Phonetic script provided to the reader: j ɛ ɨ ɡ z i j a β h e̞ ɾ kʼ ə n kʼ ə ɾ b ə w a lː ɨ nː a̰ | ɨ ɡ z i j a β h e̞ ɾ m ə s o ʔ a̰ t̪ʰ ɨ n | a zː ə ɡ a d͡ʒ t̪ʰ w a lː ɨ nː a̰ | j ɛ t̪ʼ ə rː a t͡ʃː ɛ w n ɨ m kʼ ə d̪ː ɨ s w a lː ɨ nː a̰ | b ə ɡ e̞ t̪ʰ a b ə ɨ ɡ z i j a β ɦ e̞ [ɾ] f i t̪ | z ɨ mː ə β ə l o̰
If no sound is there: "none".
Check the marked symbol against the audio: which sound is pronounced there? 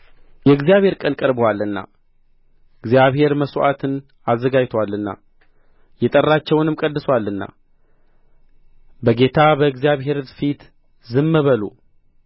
ɾ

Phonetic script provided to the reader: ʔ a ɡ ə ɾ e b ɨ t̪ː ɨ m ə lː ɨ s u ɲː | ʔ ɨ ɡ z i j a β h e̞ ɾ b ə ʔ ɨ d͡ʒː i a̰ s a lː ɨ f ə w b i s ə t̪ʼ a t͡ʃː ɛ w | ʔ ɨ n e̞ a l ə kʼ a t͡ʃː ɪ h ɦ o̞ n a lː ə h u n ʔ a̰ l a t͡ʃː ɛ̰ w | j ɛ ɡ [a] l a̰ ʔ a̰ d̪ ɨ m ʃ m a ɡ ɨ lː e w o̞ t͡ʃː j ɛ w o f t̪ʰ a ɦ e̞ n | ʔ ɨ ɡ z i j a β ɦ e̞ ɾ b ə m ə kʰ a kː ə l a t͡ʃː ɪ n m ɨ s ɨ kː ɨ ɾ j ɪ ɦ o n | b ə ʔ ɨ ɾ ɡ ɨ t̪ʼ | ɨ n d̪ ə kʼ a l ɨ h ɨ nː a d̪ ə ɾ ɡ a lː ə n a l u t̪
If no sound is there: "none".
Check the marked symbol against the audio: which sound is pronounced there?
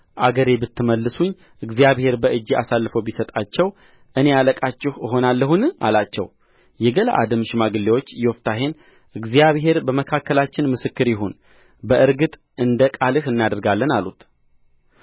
ə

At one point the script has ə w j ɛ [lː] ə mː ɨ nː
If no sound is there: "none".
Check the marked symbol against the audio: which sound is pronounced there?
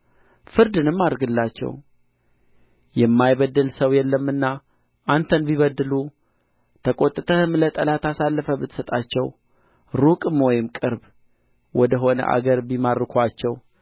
lː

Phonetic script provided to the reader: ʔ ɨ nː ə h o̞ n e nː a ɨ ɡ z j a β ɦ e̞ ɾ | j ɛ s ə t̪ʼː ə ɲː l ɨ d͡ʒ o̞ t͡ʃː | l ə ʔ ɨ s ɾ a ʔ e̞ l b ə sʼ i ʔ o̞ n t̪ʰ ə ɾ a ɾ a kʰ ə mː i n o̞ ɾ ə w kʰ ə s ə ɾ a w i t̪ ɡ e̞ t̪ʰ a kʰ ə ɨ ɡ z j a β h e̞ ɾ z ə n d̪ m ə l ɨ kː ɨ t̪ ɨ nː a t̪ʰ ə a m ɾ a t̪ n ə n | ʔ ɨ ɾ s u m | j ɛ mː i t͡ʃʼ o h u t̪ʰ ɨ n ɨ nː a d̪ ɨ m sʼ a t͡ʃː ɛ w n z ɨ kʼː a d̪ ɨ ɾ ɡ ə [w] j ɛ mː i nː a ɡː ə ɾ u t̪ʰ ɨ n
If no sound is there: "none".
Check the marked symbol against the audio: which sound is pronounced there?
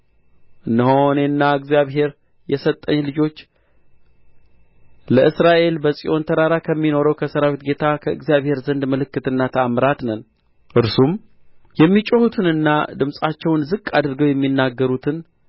w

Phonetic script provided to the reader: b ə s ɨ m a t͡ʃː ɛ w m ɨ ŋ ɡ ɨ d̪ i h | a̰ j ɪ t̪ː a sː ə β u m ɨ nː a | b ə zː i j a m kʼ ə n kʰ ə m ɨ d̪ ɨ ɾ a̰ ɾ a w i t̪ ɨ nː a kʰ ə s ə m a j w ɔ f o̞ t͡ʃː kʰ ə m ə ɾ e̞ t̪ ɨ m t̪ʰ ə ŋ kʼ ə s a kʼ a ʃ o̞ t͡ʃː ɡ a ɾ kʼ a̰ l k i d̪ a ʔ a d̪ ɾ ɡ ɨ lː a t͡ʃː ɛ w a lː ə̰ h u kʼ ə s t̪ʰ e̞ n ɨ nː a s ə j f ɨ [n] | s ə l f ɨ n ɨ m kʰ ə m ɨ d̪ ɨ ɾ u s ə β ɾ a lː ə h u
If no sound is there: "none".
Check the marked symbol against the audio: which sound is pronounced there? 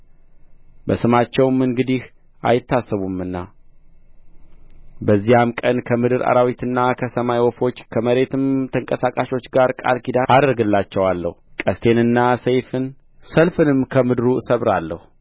n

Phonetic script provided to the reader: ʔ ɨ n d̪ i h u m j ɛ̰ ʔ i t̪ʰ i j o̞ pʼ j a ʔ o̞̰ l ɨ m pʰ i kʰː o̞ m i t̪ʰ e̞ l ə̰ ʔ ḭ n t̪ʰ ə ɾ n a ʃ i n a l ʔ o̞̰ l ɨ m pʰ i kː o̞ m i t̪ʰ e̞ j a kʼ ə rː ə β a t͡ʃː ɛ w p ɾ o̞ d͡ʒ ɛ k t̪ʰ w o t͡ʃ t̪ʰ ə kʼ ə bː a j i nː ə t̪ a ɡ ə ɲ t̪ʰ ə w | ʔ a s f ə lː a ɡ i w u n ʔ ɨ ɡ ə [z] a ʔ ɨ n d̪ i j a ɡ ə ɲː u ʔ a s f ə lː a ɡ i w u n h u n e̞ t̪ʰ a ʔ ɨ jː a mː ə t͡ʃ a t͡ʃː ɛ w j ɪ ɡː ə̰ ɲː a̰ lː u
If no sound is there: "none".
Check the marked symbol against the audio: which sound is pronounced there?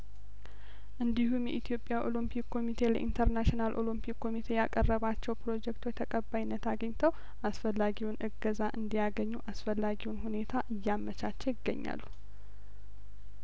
z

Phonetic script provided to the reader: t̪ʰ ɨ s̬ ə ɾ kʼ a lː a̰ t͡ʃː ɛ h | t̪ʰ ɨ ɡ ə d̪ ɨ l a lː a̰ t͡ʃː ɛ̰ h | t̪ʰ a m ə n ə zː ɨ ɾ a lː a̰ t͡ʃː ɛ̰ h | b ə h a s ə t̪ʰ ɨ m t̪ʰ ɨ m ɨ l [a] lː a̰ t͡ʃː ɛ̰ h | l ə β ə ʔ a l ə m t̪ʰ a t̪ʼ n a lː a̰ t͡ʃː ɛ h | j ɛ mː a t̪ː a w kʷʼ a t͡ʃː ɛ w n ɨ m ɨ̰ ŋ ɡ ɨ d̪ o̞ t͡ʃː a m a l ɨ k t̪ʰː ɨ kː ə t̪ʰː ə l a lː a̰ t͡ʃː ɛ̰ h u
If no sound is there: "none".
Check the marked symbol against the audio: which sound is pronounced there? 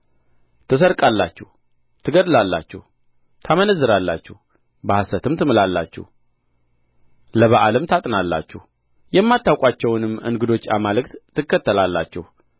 a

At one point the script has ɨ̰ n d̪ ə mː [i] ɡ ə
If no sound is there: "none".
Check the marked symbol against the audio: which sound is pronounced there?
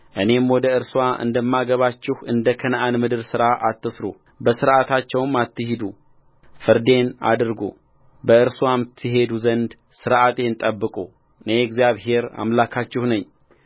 a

